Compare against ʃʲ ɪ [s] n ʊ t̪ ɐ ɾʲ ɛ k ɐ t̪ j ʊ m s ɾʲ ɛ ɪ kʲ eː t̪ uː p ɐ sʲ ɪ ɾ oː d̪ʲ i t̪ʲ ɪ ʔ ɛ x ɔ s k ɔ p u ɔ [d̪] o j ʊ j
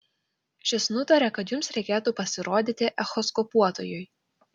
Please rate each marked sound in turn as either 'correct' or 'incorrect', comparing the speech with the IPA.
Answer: correct, incorrect: t̪

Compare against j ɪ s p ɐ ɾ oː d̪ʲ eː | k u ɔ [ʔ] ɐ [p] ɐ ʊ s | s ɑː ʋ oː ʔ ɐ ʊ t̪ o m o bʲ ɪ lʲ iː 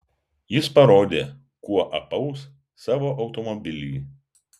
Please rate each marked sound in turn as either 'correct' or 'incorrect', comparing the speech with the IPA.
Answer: correct, correct

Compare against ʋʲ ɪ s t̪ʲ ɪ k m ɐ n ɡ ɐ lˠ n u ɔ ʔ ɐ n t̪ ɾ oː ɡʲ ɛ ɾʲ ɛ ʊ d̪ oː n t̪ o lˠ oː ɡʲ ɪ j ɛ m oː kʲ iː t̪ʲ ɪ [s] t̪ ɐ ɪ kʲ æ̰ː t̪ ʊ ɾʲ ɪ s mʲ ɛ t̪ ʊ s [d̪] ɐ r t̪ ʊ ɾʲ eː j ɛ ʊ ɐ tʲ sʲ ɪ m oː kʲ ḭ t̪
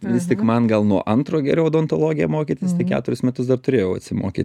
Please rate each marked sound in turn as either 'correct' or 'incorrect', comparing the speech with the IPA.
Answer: correct, correct

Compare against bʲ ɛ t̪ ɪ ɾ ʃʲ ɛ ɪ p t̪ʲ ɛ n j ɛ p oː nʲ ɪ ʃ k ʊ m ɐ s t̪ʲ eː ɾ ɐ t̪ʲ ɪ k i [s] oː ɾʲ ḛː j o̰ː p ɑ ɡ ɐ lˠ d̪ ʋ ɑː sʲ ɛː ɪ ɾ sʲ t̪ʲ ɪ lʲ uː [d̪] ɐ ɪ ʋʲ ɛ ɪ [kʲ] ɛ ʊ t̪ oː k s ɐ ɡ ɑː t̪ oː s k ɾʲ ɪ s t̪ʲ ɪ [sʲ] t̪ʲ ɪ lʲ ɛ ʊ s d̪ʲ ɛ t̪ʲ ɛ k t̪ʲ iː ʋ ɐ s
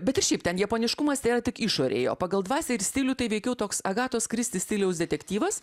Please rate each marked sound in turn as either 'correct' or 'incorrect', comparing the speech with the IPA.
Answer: incorrect: ʃ, incorrect: t̪, correct, correct

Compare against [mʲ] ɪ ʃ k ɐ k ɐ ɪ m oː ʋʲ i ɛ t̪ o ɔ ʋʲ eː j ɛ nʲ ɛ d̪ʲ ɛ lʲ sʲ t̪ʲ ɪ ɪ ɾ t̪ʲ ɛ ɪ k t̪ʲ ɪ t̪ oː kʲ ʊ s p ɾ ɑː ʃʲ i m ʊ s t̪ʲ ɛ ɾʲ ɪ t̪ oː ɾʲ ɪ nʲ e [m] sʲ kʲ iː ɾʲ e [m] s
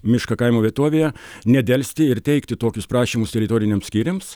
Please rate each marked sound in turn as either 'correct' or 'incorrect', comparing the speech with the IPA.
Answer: correct, correct, correct

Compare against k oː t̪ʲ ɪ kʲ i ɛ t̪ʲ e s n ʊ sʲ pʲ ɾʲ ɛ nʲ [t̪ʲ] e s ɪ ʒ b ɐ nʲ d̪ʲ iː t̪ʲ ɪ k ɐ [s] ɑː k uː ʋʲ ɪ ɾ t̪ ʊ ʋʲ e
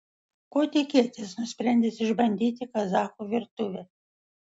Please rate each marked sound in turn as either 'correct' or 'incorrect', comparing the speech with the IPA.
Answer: incorrect: d̪ʲ, incorrect: z

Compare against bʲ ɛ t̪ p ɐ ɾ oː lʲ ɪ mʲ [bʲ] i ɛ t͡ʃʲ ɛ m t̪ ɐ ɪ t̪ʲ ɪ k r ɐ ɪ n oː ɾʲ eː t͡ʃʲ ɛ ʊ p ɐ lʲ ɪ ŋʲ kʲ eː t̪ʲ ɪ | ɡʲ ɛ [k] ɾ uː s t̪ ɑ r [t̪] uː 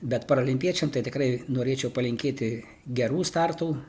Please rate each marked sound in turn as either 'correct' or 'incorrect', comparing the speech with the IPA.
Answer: incorrect: pʲ, incorrect: none, correct

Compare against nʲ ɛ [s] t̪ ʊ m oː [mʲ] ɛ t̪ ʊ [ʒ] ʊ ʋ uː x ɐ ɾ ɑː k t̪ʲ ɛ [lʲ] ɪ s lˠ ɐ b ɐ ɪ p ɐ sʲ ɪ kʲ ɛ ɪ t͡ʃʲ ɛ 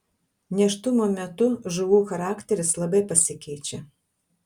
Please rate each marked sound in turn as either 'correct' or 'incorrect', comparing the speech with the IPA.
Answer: incorrect: ʃ, correct, correct, incorrect: ɾʲ

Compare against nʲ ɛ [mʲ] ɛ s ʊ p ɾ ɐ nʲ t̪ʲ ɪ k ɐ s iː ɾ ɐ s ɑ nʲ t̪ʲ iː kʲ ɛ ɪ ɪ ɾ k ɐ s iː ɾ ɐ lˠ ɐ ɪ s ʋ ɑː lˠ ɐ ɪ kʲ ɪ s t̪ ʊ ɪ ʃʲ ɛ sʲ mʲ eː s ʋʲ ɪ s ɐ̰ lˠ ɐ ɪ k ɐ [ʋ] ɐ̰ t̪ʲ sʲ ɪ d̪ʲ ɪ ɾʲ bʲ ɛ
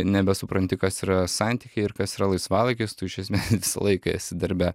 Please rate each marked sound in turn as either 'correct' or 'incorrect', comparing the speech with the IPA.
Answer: incorrect: bʲ, incorrect: none

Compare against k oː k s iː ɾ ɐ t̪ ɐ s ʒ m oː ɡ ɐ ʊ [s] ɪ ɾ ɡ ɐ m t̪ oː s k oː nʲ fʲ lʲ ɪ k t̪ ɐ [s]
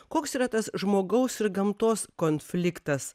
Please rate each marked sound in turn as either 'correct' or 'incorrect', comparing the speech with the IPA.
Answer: correct, correct

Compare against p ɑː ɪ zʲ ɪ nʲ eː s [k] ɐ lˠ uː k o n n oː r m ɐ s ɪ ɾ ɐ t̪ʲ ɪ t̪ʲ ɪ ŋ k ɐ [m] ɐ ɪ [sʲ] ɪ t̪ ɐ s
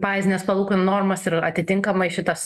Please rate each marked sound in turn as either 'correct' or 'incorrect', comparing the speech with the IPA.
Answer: incorrect: p, correct, incorrect: ʃʲ

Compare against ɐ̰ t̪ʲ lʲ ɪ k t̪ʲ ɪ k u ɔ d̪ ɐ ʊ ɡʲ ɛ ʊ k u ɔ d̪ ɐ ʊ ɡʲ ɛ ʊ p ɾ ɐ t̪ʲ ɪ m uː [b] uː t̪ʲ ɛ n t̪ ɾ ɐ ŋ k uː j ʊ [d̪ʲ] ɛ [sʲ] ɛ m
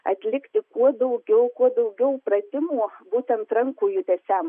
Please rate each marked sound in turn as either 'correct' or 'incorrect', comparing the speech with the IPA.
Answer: correct, incorrect: t̪ʲ, correct

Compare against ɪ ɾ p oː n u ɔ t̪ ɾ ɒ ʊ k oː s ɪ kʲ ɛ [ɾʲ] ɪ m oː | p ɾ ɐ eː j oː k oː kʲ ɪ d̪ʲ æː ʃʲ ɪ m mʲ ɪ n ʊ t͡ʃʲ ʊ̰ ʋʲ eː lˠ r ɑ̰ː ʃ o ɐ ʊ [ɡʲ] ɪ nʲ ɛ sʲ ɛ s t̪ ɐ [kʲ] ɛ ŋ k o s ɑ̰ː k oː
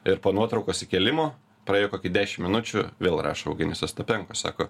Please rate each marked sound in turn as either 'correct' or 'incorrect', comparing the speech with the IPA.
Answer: incorrect: lʲ, correct, incorrect: pʲ

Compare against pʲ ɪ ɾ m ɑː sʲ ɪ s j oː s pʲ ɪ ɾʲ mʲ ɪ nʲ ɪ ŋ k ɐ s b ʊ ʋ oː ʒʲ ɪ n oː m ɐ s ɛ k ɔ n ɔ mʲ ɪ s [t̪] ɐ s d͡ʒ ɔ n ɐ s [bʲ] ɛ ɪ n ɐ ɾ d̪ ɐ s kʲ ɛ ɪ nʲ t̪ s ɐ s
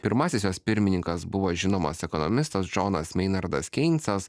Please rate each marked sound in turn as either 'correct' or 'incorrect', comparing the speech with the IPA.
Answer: correct, incorrect: mʲ

